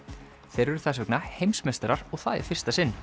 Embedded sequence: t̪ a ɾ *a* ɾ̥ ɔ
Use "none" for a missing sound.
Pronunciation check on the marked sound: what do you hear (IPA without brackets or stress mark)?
a